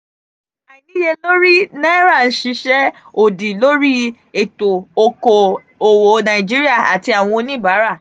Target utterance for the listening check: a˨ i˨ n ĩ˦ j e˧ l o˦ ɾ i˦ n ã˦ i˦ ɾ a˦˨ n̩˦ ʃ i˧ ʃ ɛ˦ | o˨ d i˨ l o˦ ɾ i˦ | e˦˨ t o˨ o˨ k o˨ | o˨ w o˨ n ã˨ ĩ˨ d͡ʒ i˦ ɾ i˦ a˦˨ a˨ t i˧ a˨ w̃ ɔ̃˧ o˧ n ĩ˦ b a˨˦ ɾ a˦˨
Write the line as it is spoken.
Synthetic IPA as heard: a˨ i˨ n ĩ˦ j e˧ l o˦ ɾ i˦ n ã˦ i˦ ɾ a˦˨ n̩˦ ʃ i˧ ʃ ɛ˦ | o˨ d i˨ l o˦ ɾ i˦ | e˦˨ t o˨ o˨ k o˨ | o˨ w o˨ n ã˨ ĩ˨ d͡ʒ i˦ ɾ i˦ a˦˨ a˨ t i˧ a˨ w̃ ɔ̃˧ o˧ n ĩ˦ b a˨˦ ɾ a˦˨